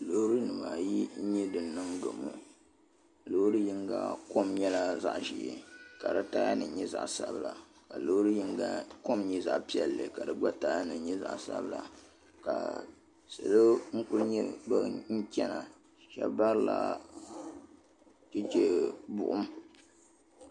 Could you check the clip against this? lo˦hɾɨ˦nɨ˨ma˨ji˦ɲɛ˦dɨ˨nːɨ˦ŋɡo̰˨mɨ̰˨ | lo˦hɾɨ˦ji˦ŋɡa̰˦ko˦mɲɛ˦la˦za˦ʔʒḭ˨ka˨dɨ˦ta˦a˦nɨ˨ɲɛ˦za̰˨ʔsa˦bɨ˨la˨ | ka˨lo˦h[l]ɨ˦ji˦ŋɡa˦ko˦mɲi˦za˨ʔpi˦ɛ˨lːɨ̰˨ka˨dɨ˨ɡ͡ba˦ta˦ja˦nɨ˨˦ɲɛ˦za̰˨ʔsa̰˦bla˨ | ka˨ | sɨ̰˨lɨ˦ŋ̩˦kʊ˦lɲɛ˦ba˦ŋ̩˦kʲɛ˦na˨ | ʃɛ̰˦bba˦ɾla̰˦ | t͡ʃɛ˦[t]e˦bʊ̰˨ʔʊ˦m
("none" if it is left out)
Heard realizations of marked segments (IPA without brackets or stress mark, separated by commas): ɾ, t͡ʃ